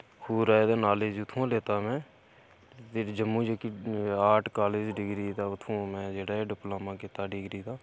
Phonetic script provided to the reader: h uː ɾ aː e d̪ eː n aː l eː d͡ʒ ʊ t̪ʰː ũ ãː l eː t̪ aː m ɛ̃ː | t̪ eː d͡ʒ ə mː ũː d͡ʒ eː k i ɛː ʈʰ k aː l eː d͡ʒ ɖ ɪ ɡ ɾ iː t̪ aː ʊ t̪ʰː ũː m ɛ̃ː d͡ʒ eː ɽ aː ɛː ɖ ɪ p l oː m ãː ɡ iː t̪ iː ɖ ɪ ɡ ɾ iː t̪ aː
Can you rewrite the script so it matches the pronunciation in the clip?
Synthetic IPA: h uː ɾ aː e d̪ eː n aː l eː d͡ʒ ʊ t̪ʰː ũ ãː l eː t̪ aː m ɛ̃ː | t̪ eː d͡ʒ ə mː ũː d͡ʒ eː k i aː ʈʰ k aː l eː d͡ʒ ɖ ɪ ɡ ɾ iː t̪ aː ʊ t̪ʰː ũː m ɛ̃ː d͡ʒ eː ɽ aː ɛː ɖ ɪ p l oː m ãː k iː t̪ aː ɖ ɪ ɡ ɾ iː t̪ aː